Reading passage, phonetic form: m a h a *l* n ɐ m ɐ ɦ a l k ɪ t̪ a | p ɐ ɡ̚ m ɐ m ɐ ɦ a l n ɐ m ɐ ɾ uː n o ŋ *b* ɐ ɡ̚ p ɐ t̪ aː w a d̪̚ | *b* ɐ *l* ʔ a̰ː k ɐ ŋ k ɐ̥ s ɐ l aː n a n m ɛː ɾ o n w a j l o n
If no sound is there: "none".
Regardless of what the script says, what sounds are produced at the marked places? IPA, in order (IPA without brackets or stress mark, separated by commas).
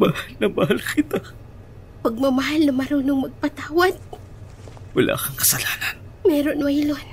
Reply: l, m, w, l